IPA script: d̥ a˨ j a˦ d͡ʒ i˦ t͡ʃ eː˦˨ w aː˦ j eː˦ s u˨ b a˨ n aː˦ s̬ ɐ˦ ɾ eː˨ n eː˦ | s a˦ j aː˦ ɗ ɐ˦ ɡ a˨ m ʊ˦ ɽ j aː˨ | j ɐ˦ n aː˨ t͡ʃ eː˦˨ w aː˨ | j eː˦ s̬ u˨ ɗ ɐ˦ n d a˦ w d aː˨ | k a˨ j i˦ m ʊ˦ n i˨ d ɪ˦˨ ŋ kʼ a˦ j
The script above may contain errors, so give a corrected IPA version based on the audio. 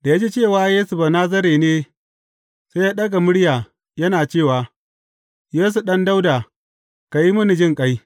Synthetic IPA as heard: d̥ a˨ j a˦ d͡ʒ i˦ t͡ʃ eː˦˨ w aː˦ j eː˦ s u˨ b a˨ n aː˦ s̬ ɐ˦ ɾ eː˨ n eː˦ | s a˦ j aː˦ ɗ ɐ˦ ɡ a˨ m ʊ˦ ɽ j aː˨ | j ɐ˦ n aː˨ t͡ʃ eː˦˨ w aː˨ | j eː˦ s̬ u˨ ɗ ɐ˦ n d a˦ w d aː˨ | k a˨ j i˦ m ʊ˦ n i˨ d͡ʒ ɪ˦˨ ŋ kʼ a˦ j